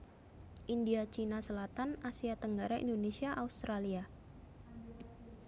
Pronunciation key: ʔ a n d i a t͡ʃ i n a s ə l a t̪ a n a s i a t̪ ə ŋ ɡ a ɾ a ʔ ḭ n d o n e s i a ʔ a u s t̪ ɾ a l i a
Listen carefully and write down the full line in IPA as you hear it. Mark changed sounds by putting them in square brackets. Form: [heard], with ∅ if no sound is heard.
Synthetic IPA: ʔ [i] n d i a t͡ʃ i n a s ə l a t̪ a n a s i a t̪ ə ŋ ɡ a ɾ a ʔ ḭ n d o n e s i a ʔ a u s t̪ ɾ a l i a